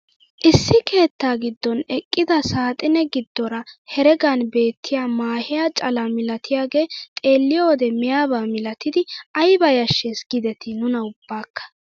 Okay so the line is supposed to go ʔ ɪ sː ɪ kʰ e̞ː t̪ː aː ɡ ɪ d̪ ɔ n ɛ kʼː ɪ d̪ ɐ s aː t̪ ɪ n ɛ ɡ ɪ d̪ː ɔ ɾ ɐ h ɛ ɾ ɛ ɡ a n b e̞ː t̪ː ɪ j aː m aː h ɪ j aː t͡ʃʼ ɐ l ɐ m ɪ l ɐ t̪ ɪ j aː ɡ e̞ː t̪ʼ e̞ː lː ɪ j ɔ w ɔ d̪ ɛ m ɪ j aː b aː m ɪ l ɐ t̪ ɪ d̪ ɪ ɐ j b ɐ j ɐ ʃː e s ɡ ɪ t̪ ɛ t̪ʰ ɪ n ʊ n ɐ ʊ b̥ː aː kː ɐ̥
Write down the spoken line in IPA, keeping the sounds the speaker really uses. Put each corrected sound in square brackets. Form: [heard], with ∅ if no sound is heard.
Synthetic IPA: ʔ ɪ sː ɪ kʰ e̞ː t̪ː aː ɡ ɪ [d̪ː] ɔ n ɛ kʼː ɪ d̪ ɐ s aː [t̪ʼ] ɪ n ɛ ɡ ɪ d̪ː ɔ ɾ ɐ h ɛ ɾ ɛ ɡ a n b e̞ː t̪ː ɪ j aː m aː h ɪ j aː t͡ʃʼ ɐ l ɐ m ɪ l ɐ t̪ ɪ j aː ɡ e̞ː t̪ʼ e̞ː lː ɪ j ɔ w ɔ d̪ ɛ m ɪ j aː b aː m ɪ l ɐ t̪ ɪ d̪ ɪ ɐ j b ɐ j ɐ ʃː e s ɡ ɪ [d̪] ɛ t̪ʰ ɪ n ʊ n ɐ ʊ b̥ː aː kː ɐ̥